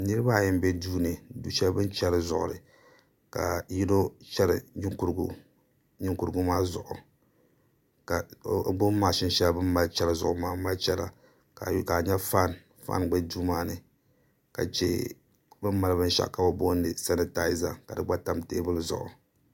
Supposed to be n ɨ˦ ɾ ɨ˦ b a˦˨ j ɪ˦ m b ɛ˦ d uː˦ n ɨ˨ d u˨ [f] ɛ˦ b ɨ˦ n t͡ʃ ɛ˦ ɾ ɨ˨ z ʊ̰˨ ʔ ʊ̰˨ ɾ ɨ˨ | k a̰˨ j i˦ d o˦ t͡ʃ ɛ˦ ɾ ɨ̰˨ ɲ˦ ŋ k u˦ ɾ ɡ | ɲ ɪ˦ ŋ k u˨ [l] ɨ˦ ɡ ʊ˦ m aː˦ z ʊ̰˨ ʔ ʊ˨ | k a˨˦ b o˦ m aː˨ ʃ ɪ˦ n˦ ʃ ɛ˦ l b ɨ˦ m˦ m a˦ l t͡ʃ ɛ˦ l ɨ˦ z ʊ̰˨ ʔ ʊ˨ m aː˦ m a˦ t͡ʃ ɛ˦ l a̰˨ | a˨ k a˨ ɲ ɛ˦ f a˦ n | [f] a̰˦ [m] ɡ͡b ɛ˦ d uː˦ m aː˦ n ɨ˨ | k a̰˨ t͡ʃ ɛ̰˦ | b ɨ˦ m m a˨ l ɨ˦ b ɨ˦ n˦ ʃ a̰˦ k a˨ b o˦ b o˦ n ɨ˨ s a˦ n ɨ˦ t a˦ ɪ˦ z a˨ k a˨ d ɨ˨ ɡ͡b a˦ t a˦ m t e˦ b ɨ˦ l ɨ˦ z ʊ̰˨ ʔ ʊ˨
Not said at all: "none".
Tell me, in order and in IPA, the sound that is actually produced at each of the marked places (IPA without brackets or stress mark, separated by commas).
ʃ, ɾ, f, n